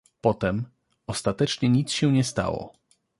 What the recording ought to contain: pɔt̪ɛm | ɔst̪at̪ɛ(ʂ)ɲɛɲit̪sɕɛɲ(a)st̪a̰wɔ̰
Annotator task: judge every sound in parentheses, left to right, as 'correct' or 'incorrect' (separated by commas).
incorrect, incorrect